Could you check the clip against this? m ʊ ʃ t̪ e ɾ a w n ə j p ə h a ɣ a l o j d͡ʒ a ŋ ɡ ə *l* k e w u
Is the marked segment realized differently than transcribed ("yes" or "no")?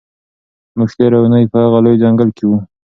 no